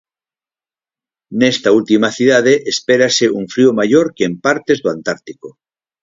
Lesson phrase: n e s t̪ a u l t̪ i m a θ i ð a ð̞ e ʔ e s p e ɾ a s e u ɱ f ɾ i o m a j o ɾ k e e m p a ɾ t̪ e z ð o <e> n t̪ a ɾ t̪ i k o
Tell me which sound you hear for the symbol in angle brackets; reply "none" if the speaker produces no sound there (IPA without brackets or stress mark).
a